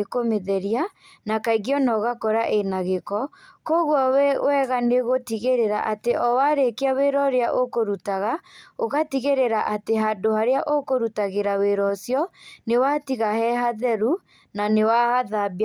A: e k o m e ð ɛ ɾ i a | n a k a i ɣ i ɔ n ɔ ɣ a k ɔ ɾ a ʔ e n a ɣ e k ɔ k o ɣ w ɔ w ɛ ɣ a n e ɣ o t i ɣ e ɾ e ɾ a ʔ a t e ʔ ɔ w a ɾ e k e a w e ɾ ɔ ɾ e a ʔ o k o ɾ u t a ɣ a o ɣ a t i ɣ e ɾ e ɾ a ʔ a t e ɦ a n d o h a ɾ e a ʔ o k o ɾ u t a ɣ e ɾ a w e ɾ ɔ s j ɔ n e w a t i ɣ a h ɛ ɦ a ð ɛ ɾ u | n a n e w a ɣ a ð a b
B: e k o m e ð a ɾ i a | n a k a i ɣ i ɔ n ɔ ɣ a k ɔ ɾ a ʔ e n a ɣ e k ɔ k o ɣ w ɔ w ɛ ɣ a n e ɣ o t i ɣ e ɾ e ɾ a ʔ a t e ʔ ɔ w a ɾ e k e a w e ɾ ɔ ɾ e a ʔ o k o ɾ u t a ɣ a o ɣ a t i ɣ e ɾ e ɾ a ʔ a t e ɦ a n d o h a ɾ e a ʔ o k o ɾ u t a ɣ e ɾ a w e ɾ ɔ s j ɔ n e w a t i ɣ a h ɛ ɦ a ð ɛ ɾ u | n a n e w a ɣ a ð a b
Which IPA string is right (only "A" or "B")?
A